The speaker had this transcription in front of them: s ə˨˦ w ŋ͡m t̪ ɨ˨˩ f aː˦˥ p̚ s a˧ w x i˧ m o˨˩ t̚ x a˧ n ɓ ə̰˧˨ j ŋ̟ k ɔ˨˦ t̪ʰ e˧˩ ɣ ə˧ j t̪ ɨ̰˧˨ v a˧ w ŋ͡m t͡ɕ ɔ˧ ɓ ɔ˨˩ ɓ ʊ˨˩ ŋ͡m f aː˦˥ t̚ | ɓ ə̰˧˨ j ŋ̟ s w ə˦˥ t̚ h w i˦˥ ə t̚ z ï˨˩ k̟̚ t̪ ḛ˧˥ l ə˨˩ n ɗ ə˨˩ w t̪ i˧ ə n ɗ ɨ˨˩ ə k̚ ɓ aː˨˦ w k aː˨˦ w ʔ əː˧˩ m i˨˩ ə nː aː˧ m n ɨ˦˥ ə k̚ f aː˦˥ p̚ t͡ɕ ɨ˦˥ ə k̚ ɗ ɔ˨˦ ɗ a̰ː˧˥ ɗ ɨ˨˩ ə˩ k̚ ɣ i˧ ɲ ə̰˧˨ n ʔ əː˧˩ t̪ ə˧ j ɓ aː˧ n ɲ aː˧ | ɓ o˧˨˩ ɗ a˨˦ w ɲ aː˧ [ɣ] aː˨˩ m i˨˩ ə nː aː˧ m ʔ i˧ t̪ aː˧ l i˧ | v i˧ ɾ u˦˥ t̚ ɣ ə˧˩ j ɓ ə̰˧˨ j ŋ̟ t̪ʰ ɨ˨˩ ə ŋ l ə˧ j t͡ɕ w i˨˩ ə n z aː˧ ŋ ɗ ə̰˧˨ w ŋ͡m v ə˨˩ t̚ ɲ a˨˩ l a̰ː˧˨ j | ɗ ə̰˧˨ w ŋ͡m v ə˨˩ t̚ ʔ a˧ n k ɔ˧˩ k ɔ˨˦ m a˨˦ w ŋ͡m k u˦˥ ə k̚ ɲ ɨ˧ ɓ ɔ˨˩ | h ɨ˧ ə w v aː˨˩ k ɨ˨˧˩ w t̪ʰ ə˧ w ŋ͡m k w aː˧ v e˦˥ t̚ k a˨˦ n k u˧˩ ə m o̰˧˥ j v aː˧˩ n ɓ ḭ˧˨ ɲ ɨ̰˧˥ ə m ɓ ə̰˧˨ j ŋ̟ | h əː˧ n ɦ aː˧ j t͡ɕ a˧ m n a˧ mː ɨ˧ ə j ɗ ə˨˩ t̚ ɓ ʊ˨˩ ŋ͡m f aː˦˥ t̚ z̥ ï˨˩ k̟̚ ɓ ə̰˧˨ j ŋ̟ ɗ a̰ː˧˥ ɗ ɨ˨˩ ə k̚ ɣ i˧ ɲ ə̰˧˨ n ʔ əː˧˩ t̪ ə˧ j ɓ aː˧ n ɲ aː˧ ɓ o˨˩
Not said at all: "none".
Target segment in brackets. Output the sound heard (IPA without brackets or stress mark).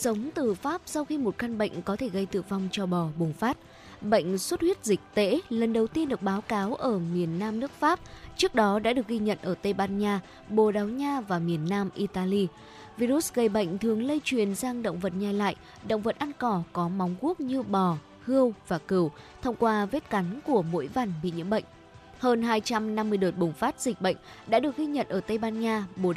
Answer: v